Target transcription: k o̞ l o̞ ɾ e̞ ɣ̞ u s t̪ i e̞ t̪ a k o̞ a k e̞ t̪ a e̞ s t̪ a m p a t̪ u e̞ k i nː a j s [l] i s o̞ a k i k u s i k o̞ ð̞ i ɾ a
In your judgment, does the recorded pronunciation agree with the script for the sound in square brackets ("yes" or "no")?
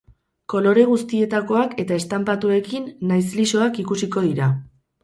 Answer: yes